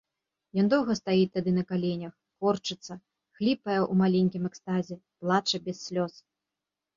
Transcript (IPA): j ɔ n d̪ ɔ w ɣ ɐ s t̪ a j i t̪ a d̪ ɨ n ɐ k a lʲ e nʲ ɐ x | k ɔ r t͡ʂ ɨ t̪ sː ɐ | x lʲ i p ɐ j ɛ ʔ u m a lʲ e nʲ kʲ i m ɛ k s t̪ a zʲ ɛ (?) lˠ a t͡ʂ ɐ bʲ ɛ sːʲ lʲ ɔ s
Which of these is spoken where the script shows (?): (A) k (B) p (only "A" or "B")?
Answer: B